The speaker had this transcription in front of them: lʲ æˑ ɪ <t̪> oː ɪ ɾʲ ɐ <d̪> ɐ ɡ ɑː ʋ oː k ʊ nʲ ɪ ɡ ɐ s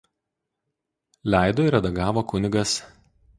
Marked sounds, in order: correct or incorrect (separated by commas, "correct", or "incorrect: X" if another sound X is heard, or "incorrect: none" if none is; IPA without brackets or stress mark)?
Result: incorrect: d̪, correct